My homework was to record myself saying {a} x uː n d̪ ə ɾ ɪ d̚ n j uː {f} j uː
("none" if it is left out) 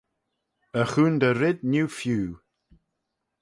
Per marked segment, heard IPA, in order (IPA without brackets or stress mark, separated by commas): ə, f